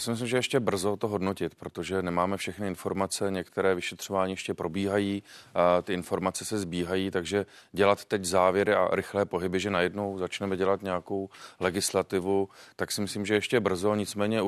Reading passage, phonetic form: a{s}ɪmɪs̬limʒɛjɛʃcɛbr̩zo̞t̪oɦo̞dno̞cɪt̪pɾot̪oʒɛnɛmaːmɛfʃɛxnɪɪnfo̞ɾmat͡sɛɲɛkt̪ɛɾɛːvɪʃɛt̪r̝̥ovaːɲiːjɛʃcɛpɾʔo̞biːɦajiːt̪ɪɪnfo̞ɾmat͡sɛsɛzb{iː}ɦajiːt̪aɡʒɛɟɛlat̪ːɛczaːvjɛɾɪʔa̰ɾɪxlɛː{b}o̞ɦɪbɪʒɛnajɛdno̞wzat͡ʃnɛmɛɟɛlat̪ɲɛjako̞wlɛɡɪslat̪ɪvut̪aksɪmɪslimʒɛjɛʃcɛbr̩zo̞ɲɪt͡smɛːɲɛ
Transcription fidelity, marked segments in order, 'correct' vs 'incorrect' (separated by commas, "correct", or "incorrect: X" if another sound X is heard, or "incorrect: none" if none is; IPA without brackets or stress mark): correct, correct, incorrect: p